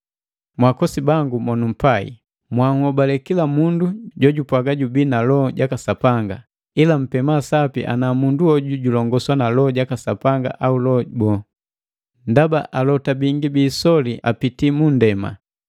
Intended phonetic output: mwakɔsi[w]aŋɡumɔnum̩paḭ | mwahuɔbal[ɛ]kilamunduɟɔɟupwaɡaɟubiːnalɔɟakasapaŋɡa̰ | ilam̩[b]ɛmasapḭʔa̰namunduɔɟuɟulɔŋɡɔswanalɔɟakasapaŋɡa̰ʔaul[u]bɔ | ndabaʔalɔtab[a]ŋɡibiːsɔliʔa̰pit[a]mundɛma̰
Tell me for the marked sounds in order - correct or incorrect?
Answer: incorrect, correct, incorrect, incorrect, incorrect, incorrect

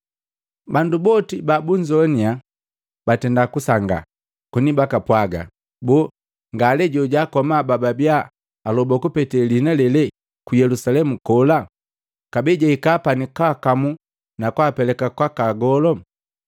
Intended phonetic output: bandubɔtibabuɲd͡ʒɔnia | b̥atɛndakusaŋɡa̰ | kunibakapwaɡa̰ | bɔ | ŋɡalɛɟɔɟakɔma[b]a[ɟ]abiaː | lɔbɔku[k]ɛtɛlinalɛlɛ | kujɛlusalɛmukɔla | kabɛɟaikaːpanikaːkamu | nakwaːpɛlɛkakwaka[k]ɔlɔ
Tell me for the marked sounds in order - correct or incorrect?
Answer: correct, incorrect, incorrect, incorrect

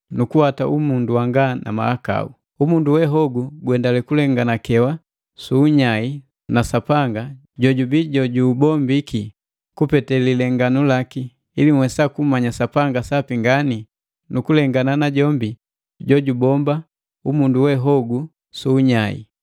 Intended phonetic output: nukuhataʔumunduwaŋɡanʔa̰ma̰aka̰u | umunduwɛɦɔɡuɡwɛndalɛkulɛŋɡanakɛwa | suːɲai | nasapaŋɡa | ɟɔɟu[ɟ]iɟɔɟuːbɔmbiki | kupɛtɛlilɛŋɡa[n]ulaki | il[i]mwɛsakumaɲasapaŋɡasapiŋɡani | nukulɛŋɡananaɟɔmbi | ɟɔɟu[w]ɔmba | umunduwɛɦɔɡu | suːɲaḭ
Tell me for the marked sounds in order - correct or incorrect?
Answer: incorrect, correct, correct, incorrect

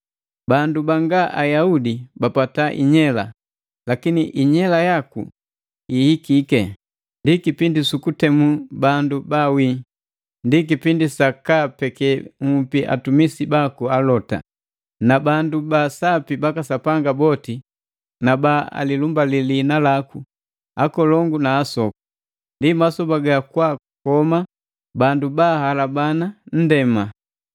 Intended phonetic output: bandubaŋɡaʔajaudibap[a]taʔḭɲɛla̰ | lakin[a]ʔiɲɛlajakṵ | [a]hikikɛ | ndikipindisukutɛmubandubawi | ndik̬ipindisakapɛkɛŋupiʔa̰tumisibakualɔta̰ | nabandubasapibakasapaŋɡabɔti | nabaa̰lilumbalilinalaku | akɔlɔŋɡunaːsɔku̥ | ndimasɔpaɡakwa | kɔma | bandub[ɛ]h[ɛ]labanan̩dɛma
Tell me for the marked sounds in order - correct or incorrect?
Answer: correct, incorrect, incorrect, incorrect, incorrect

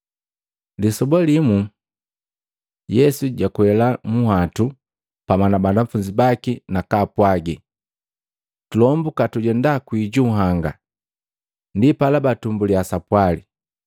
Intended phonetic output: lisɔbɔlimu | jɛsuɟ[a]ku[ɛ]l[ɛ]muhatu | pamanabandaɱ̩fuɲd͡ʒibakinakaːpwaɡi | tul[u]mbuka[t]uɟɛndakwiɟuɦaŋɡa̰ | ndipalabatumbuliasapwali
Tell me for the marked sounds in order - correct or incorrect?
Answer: correct, correct, incorrect, incorrect, correct

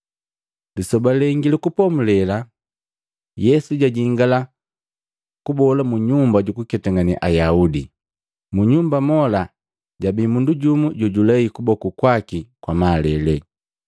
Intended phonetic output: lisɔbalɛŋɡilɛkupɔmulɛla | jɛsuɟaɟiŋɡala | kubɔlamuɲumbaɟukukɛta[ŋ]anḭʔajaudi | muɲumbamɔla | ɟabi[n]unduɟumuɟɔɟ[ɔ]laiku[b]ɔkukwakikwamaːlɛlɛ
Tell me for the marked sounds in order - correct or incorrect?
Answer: correct, incorrect, incorrect, correct

